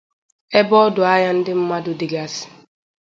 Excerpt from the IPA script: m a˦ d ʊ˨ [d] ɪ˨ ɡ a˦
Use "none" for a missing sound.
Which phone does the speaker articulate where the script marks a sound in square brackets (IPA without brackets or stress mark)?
d